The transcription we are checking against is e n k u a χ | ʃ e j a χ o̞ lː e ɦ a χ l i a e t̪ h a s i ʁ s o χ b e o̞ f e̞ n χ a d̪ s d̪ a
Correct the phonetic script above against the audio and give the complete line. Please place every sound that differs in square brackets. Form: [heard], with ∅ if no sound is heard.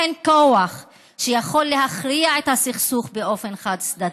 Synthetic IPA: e n k [o] a χ | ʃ e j a χ o̞ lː e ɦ a χ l i a e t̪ h a s i [χ] s [u] χ b e o̞ f e̞ n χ a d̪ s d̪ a